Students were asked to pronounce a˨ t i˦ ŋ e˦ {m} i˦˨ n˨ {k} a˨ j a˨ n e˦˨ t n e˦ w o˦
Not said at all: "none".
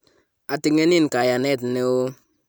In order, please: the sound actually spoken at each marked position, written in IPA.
n, k

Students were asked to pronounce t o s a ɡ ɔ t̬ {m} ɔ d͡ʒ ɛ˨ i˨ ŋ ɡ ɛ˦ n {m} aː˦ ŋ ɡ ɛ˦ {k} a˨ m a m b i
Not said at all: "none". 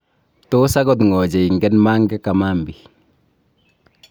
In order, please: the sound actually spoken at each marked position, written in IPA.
ŋ, m, k

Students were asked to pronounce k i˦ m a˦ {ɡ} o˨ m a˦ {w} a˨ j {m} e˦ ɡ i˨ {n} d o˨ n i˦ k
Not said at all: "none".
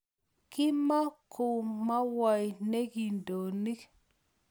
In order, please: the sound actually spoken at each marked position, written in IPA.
k, w, n, n

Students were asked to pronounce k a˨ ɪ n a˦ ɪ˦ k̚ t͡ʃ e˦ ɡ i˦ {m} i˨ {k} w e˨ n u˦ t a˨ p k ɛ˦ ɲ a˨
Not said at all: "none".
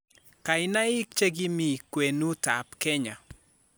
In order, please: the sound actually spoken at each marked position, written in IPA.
m, k

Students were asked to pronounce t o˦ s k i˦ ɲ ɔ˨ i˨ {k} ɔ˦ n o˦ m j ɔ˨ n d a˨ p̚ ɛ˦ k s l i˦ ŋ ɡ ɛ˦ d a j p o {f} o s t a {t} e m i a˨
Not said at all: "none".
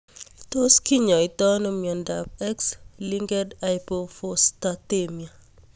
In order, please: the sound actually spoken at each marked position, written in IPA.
t, f, t

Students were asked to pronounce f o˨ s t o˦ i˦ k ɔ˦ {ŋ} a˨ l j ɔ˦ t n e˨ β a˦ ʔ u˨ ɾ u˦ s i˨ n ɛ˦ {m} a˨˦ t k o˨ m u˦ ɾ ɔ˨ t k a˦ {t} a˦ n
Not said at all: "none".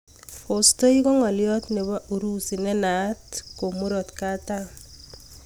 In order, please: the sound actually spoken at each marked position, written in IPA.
ŋ, n, t

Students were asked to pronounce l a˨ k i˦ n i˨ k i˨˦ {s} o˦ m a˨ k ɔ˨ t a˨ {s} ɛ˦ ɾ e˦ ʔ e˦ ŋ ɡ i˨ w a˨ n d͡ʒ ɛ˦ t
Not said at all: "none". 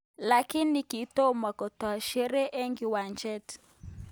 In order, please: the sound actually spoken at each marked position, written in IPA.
t, ʃ

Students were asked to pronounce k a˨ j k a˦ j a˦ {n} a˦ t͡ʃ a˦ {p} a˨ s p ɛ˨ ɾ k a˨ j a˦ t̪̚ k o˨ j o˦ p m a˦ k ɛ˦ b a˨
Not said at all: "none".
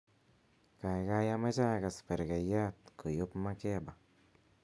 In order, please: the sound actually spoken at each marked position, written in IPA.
m, k

